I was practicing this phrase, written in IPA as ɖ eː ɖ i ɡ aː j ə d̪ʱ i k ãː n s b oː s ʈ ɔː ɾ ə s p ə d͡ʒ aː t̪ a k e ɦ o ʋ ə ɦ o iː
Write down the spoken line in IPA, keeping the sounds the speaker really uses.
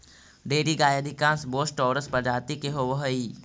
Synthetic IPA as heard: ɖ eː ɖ i ɡ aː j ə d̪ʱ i k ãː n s b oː s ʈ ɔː ɾ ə s p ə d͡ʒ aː t̪ i k e ɦ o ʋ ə ɦ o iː